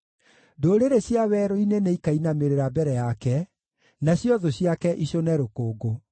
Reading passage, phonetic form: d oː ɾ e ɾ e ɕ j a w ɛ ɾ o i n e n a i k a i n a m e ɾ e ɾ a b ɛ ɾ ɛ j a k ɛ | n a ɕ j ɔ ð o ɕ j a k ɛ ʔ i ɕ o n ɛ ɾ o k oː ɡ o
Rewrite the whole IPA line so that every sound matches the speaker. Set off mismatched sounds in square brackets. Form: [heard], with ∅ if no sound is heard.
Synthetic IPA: d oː ɾ e ɾ e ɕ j a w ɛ ɾ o i n e n [e] i k a i n a m e ɾ e ɾ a b ɛ ɾ ɛ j a k ɛ | n a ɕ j ɔ ð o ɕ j a k ɛ ʔ i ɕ o n ɛ ɾ o k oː ɡ o